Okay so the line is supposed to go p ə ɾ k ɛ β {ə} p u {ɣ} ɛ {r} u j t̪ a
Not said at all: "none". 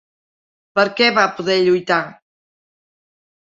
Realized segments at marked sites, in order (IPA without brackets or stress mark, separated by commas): a, ð, ʎ